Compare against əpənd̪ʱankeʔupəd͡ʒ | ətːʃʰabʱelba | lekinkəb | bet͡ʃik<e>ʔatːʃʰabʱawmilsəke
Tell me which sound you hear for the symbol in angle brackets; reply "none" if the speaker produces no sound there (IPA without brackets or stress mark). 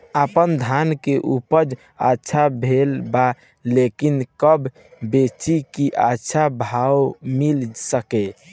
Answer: i